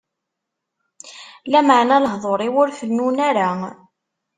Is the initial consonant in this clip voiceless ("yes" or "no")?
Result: no